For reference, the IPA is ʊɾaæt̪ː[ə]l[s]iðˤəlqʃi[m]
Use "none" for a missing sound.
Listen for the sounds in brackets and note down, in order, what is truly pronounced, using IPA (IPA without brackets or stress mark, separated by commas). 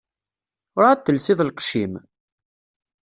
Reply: ə, s, m